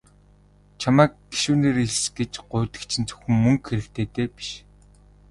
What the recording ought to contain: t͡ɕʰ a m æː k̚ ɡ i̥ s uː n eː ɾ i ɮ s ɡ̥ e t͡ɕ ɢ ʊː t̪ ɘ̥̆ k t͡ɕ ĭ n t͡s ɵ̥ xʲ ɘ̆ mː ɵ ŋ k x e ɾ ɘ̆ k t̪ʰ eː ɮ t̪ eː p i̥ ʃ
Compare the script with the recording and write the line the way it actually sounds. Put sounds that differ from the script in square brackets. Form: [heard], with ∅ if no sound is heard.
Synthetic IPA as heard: t͡ɕʰ a m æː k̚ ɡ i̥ [ʃ] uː n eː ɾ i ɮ s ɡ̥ e t͡ɕ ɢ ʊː t̪ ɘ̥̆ k [t͡ɕʰ] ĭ n t͡s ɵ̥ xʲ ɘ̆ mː ɵ ŋ k x e ɾ ɘ̆ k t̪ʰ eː [∅] t̪ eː p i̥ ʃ